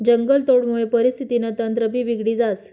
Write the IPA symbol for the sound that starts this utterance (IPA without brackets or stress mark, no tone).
d͡ʑ